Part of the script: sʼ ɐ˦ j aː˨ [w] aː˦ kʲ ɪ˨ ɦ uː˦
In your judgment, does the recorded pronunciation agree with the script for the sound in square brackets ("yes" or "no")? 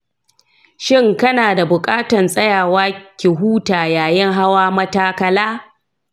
yes